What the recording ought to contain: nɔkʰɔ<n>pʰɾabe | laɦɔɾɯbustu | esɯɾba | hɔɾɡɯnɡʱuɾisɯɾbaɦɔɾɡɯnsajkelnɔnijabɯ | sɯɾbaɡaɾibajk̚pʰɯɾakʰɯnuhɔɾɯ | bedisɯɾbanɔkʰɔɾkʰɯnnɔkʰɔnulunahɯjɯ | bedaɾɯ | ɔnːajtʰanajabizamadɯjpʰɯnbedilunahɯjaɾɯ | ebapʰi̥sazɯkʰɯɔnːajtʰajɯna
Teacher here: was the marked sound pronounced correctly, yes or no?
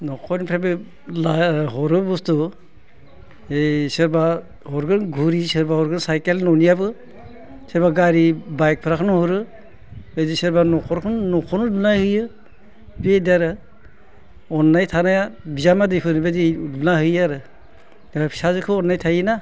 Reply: yes